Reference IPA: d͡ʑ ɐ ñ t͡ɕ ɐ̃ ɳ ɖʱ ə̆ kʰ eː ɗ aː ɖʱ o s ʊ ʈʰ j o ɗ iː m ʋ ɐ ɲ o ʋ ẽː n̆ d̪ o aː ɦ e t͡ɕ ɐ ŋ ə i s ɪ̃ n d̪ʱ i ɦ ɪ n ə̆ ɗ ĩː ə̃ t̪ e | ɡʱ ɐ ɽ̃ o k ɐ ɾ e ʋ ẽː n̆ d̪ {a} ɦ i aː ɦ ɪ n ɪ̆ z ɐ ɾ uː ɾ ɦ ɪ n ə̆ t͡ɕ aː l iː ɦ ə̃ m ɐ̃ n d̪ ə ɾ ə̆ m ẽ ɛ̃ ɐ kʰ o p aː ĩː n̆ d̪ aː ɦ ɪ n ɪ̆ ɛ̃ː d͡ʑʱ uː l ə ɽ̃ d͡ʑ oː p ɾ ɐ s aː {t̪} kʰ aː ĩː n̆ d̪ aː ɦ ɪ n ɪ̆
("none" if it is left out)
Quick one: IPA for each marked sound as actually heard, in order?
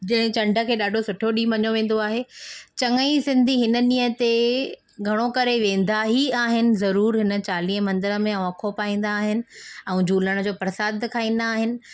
a, d̪

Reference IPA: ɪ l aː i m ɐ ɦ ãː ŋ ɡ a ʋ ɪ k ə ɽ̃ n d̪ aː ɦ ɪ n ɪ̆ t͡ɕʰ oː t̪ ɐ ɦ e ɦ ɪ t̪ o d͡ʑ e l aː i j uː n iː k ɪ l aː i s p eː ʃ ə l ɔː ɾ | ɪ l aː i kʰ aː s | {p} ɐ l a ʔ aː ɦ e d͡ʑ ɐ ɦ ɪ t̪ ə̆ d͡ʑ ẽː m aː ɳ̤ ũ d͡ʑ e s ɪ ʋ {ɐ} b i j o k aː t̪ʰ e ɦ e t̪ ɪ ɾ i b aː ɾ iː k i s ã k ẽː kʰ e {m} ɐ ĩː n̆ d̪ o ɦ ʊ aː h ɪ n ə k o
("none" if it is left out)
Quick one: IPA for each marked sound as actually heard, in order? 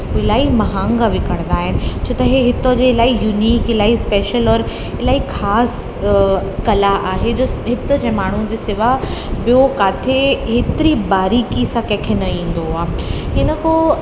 k, a, n

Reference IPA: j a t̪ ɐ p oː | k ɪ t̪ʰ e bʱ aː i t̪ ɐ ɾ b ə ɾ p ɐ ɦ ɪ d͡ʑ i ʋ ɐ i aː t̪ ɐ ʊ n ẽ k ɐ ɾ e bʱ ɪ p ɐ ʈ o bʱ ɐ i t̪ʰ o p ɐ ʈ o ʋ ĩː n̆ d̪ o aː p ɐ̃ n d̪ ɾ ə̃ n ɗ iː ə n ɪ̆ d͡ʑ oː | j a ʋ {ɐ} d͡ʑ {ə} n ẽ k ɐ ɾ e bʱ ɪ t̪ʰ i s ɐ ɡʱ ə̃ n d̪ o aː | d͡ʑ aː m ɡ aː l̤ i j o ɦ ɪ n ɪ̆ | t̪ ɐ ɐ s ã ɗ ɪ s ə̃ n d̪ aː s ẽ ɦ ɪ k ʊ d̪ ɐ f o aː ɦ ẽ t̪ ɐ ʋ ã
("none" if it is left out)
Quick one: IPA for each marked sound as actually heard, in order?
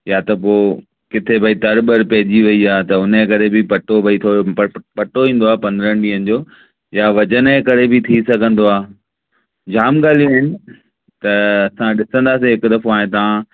ɐ, ə

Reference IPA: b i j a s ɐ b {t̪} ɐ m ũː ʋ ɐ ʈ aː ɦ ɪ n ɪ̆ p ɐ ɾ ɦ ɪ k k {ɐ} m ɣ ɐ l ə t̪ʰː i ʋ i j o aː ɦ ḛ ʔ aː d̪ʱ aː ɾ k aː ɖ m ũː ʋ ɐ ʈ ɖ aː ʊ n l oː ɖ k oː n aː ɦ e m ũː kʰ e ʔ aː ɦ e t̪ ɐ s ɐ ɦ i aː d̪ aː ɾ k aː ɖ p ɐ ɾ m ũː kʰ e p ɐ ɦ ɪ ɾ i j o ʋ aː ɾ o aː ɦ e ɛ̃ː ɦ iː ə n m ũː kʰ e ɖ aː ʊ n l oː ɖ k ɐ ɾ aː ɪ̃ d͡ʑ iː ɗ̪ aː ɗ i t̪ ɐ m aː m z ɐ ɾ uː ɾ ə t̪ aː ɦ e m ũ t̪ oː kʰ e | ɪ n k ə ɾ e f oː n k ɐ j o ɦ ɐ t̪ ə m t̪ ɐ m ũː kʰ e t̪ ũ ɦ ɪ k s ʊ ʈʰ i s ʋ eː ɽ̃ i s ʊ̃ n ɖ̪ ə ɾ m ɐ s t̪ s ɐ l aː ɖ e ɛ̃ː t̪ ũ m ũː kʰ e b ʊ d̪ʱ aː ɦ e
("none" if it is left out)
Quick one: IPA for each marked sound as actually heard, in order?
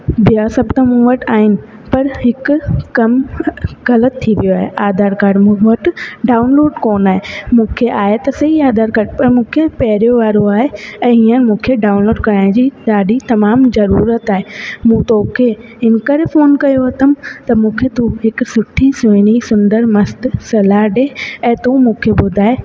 t̪, ɐ

